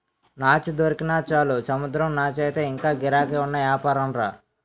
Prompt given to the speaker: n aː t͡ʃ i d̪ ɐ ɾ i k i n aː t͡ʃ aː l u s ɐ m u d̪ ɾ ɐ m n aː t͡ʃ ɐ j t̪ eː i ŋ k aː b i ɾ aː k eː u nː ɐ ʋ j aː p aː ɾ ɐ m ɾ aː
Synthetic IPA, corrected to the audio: n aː t͡ʃ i d̪ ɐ ɾ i k i n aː t͡ʃ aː l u s ɐ m u d̪ ɾ ɐ m n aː t͡ʃ ɐ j t̪ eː i ŋ k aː ɡ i ɾ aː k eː u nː ɐ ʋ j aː p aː ɾ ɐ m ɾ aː